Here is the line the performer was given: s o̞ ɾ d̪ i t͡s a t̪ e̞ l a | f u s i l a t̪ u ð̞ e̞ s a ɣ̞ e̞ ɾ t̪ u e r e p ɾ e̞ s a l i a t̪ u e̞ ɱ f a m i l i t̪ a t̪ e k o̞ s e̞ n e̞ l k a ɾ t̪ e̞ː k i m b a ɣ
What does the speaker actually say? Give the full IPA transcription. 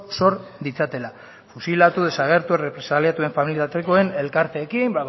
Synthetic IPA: s o̞ ɾ d̪ i t͡s a t̪ e̞ l a | f u s i l a t̪ u ð̞ e̞ s a ɣ̞ e̞ ɾ t̪ u e r e p ɾ e̞ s a l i a t̪ u e̞ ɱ f a m i l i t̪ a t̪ e k o̞ e̞ n e̞ l k a ɾ t̪ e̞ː k i m b a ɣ